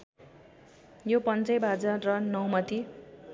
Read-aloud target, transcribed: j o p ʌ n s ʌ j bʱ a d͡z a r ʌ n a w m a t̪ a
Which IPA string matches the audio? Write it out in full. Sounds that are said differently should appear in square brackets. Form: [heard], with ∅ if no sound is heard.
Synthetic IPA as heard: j o p ʌ n [t͡s] ʌ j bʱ a d͡z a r ʌ n [ʌ] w m [ʌ] t̪ [i]

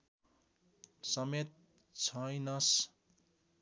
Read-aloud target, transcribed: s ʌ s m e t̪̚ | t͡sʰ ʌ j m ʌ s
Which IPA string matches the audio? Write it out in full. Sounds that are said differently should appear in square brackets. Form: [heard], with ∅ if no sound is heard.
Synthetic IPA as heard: s ʌ [∅] m e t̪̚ | t͡sʰ ʌ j [n] ʌ s

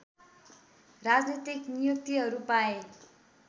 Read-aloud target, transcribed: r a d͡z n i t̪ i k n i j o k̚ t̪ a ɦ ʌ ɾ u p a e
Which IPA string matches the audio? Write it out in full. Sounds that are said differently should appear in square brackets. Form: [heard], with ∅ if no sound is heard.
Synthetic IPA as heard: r a d͡z n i t̪ i k n i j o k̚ t̪ [i] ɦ ʌ ɾ u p a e

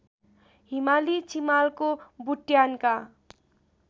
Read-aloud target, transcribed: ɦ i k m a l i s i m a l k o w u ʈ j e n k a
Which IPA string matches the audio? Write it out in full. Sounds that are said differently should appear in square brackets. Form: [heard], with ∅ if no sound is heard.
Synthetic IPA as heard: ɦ i [∅] m a l i [t͡s] i m a l k o [b] u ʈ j [a] n k a

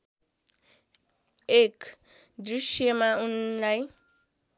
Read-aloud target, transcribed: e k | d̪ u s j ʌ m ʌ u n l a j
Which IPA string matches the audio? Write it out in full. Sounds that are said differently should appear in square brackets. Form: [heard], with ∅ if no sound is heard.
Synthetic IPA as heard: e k | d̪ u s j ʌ m [a] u n l a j

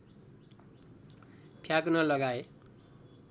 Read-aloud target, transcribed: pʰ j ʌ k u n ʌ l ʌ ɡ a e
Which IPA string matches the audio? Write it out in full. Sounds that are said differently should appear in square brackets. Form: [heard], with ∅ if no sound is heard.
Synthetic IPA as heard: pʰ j [a] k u n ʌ l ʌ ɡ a e

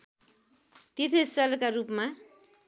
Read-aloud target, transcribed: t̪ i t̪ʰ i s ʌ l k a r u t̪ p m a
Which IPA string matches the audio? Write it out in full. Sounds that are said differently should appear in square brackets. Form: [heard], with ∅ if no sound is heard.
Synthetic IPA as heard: t̪ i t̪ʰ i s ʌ l k a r u [∅] p m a

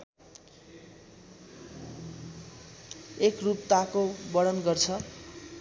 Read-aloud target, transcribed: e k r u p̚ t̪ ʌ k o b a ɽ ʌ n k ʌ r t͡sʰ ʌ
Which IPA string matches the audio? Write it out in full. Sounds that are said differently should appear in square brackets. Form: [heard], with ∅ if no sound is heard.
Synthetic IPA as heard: e k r u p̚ t̪ [a] k o b [ʌ] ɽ ʌ n [ɡ] ʌ r t͡sʰ ʌ

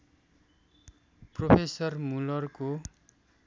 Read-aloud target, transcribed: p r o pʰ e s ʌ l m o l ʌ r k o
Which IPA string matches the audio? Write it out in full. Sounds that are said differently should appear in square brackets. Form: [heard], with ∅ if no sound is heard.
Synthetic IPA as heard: p r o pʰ e s ʌ [r] m [u] l ʌ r k o

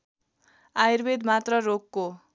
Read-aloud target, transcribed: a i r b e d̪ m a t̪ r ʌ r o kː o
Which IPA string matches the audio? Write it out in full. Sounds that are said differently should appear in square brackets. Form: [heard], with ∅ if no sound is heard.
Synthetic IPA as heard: a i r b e d̪ m a t̪ r ʌ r o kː o

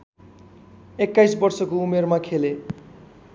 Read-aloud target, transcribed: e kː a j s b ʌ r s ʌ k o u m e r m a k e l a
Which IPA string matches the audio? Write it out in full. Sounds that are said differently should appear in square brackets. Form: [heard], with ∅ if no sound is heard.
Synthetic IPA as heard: e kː a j s b ʌ r s ʌ k o u m e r m a [kʰ] e l [e]

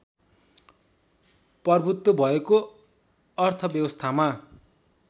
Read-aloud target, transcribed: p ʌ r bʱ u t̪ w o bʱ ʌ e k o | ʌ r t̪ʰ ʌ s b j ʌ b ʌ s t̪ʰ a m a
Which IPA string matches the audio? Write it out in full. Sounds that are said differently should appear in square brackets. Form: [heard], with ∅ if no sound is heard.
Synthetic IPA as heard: p ʌ r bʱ u t̪ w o bʱ ʌ e k o | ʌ r t̪ʰ ʌ [∅] b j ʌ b ʌ s t̪ʰ a m a

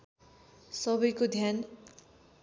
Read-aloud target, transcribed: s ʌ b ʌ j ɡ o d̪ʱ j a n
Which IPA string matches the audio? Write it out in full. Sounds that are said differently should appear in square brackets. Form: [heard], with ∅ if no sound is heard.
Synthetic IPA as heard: s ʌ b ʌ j [k] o d̪ʱ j a n

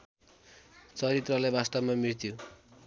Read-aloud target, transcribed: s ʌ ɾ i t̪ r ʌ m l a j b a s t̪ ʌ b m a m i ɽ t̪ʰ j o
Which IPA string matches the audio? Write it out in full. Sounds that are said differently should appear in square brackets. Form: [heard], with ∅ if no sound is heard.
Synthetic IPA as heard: [t͡s] ʌ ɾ i t̪ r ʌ [∅] l a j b a s t̪ ʌ b m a m i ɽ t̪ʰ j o

